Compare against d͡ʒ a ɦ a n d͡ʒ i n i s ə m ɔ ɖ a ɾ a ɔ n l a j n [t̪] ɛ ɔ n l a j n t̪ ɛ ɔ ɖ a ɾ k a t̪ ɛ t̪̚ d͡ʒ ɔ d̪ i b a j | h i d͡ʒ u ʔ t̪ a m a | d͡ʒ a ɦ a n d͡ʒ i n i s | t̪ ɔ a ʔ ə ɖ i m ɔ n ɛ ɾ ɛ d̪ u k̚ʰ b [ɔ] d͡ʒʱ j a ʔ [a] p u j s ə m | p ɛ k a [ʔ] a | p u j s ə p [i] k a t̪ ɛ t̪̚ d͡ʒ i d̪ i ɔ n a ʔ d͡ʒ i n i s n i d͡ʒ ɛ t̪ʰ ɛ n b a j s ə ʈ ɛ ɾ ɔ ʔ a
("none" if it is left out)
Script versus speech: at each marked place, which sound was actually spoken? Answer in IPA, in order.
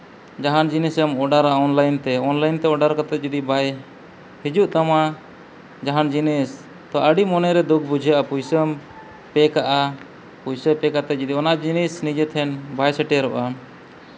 t̪, u, a, ʔ, ɛ

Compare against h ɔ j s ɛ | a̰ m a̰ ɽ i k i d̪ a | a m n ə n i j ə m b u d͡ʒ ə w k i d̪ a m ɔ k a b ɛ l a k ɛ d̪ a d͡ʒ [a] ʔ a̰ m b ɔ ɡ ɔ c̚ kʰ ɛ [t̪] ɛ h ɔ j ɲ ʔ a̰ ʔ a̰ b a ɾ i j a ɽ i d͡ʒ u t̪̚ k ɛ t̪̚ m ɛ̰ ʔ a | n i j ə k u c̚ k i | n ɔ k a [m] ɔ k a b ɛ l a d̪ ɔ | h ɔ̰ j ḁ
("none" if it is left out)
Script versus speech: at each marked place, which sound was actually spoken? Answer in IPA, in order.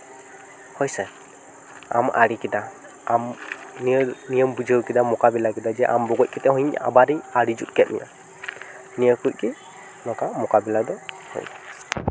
ɛ, t̪, m

